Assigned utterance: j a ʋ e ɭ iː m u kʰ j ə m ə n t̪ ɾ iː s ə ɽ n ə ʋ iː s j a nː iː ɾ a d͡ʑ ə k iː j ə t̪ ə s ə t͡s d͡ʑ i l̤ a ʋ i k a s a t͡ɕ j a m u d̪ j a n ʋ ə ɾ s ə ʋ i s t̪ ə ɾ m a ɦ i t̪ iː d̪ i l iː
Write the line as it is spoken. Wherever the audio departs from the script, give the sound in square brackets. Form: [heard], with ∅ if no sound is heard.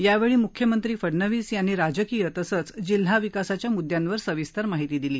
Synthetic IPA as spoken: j a ʋ e ɭ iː m u kʰ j ə m ə n t̪ ɾ iː [f] ə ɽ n ə ʋ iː s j a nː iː ɾ a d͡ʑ ə k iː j ə t̪ ə s ə t͡s d͡ʑ i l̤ a ʋ i k a s a t͡ɕ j a m u d̪ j a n ʋ ə ɾ s ə ʋ i s t̪ ə ɾ m a ɦ i t̪ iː d̪ i l iː